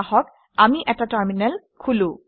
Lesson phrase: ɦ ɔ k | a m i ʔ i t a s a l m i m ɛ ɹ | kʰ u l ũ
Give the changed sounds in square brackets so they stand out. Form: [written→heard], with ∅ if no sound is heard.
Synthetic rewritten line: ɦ ɔ k | a m i ʔ [i→ɛ] t a [s→t] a [l→ɹ] m i [m→n] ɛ [ɹ→l] | kʰ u l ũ